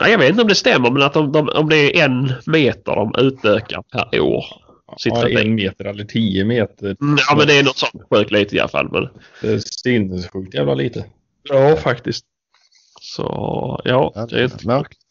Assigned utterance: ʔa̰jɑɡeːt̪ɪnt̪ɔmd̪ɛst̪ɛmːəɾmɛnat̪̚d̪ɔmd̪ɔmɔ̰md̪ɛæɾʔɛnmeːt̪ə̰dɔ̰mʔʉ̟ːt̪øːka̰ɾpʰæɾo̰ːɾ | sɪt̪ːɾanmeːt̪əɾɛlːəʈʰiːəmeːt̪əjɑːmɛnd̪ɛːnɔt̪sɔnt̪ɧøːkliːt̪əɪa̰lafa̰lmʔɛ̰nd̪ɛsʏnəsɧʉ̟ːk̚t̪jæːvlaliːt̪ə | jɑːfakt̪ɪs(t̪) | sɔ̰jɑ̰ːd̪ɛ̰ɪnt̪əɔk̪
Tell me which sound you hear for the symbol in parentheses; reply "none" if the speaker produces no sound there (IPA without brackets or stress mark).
t̪